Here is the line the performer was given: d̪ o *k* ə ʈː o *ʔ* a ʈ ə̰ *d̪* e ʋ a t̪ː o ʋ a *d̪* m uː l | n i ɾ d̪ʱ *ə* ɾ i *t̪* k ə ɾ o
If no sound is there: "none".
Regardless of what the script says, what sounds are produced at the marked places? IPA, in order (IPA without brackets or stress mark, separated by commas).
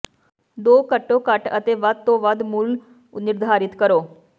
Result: k, k, t̪, d̪, a, t̪